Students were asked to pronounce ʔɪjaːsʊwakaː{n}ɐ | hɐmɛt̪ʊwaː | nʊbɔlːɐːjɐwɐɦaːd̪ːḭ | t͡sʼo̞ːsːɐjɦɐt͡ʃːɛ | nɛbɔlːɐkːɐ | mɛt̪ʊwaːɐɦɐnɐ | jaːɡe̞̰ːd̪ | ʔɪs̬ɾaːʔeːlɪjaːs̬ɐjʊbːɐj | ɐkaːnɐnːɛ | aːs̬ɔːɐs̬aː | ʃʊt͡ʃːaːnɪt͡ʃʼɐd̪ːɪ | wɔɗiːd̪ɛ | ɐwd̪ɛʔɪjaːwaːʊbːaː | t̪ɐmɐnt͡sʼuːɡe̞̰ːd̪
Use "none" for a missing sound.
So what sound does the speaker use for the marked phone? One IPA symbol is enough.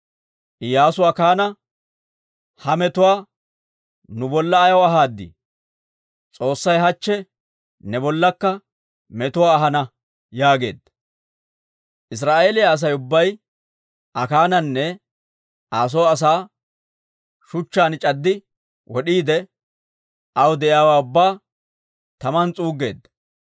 n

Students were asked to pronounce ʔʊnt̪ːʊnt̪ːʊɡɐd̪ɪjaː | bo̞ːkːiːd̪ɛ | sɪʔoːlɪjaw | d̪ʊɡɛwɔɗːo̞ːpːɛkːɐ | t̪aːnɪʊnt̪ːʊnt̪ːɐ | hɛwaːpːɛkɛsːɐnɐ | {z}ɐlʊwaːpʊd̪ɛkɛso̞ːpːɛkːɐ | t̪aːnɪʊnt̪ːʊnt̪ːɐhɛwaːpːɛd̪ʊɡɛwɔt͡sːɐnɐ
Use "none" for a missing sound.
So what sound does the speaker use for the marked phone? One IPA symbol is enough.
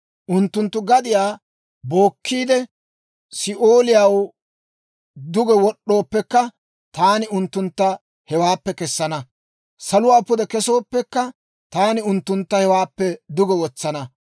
s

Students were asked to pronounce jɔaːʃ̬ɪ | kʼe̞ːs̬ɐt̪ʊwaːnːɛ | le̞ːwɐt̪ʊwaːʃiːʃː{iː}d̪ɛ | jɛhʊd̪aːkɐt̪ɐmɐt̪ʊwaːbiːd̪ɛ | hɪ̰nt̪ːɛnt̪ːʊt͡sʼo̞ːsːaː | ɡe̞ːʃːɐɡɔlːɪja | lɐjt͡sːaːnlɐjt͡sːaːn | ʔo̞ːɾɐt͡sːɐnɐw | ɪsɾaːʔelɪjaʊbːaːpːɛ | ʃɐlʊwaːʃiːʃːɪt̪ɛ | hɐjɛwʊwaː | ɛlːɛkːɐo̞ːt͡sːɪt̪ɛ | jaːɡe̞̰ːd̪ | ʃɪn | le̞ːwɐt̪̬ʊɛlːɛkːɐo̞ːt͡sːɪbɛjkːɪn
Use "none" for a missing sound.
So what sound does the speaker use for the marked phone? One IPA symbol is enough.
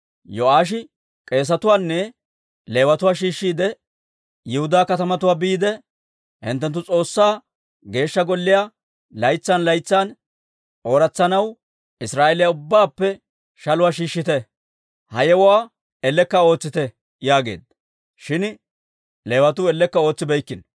iː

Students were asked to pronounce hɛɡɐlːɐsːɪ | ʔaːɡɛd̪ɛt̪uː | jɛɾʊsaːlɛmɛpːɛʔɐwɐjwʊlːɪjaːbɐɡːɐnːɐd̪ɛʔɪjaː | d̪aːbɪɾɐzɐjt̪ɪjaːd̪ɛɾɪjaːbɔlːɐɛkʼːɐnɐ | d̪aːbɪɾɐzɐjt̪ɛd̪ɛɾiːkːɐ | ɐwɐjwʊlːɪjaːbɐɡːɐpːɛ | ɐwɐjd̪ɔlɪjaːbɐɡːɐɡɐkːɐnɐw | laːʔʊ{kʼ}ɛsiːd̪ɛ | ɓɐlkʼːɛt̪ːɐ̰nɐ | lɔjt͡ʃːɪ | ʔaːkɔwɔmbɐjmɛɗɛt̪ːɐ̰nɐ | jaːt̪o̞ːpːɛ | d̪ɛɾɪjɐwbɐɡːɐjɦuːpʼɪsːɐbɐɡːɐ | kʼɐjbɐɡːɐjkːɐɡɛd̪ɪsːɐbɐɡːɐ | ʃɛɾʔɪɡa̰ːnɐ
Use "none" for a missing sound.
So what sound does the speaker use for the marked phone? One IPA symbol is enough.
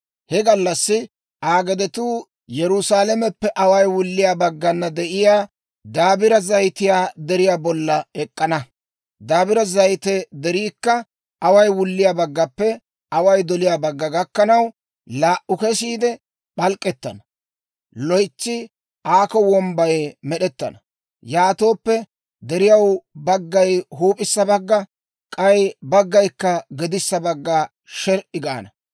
k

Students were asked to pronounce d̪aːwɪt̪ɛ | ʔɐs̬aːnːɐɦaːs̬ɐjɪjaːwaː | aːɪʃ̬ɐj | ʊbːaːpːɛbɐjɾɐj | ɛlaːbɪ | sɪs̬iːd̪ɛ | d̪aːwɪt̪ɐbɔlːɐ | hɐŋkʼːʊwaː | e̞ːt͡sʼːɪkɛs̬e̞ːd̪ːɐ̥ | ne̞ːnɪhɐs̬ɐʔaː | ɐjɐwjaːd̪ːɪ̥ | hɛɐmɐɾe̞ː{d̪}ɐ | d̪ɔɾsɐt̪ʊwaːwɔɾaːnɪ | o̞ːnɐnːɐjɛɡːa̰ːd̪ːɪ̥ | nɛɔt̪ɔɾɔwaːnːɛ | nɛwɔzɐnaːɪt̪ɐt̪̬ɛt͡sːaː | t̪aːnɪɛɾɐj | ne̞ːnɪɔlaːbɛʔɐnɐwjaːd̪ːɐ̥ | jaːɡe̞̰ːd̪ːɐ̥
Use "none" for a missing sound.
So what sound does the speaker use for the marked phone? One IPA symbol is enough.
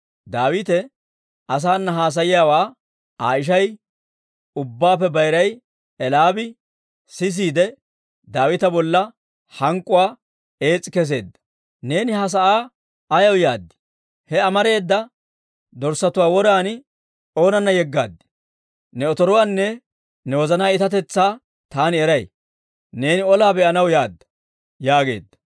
d̪ː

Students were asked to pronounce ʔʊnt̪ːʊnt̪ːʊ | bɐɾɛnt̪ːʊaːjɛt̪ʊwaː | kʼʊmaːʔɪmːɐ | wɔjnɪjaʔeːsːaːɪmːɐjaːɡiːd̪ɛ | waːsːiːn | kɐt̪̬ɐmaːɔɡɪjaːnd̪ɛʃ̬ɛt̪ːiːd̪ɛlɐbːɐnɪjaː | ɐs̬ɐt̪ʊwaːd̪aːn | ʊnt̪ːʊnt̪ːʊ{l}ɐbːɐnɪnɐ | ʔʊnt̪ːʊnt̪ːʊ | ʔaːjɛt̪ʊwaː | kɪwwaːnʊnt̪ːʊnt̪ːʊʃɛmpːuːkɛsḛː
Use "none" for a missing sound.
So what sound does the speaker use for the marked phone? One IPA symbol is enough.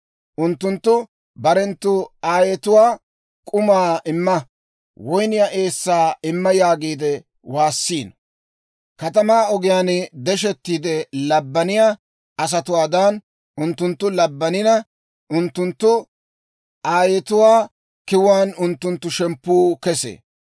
l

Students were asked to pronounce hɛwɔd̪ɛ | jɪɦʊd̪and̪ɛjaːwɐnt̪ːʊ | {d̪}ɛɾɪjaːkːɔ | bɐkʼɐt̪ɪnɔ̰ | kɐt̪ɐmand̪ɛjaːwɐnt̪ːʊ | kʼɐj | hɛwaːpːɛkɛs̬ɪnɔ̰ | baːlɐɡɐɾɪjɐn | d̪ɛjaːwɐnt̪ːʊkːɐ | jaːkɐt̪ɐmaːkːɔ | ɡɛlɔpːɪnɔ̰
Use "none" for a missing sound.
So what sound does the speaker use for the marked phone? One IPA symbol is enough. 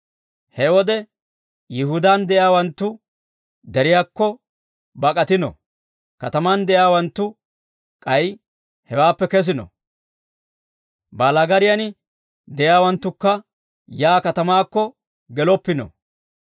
d̪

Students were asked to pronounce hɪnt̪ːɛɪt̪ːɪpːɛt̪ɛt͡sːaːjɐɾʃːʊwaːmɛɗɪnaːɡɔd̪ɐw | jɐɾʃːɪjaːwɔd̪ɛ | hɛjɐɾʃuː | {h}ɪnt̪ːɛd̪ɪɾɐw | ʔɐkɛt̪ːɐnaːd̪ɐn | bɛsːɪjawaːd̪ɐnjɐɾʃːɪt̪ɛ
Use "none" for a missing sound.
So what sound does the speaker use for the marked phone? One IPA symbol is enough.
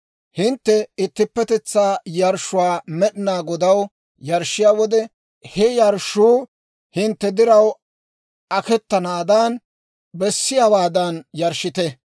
h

